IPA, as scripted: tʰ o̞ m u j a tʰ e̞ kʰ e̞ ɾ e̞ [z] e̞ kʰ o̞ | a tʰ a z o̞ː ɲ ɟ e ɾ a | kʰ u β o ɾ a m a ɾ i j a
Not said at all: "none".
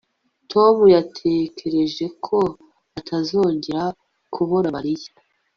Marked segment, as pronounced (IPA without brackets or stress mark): ʒ